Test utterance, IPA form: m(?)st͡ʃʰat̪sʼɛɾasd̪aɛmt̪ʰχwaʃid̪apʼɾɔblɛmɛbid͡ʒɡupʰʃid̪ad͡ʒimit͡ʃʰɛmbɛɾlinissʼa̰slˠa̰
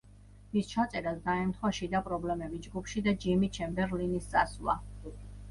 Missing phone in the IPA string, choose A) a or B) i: B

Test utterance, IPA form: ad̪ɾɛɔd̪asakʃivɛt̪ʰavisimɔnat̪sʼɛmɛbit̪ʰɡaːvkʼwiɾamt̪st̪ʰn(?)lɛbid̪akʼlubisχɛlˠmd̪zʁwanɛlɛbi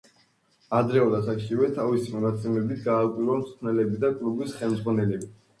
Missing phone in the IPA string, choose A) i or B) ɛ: B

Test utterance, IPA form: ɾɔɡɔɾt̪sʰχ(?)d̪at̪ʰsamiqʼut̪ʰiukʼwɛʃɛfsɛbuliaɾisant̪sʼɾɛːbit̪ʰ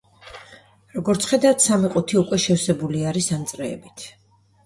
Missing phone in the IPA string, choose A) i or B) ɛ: B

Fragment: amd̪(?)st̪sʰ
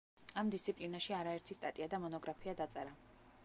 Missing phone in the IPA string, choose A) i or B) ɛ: A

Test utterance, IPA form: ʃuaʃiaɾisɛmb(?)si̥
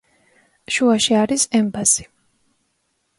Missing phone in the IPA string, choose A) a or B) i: A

